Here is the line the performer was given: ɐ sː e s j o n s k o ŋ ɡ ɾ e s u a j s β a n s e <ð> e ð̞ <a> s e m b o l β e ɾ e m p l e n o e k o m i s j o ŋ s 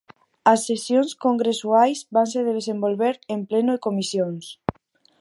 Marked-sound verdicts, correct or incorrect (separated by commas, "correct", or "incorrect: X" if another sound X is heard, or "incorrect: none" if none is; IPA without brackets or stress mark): correct, incorrect: e